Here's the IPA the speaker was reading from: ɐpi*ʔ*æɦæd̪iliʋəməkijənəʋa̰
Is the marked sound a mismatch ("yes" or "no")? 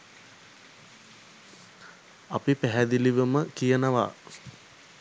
yes